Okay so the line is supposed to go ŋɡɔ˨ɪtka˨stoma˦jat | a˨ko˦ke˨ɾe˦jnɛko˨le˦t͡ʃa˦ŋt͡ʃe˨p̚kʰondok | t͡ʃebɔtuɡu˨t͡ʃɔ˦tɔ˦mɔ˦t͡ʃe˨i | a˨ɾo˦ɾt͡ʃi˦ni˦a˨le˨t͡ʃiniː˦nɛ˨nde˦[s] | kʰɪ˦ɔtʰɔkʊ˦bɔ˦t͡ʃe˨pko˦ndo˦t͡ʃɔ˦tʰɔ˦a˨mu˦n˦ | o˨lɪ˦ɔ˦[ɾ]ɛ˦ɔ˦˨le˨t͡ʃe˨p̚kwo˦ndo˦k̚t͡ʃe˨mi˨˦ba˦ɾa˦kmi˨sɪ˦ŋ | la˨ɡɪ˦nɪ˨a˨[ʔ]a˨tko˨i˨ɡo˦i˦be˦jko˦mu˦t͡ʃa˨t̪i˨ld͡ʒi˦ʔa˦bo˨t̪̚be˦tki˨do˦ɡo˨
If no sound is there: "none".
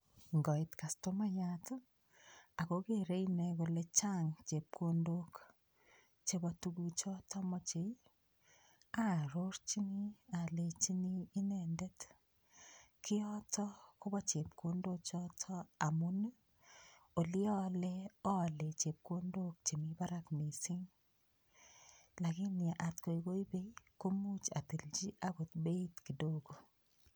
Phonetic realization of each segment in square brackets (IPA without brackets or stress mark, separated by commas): t, l, ʔ